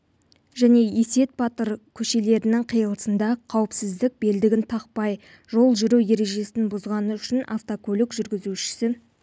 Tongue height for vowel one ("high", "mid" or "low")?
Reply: low